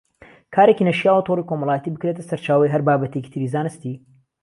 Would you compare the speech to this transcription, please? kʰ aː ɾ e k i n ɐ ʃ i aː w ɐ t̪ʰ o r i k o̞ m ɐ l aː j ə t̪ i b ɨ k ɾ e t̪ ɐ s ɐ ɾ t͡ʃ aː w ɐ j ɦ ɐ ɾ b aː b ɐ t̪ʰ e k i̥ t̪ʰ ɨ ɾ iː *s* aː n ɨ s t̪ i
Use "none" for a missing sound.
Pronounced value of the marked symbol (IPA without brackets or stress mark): z